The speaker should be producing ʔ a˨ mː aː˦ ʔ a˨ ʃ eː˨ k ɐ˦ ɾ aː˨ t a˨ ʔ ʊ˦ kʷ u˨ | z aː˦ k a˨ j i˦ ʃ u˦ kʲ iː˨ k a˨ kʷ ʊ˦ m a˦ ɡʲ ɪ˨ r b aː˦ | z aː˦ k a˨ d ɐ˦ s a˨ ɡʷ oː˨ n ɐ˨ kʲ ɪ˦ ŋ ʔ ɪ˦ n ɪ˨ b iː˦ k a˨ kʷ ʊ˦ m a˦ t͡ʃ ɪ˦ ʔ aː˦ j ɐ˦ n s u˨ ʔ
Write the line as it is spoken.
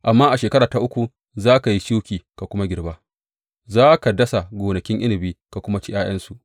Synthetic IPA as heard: ʔ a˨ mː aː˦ ʔ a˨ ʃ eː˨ k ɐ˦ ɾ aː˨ t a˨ ʔ ʊ˦ kʷ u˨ | z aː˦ k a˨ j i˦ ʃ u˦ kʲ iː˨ k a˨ kʷ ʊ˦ m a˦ ɡʲ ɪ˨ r b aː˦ | z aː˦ k a˨ d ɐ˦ s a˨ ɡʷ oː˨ n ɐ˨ kʲ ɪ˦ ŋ ʔ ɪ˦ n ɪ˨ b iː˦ k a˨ kʷ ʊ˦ m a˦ t͡ʃ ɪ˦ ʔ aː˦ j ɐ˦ n s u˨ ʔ